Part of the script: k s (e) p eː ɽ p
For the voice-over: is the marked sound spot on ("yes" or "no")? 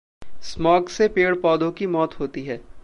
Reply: yes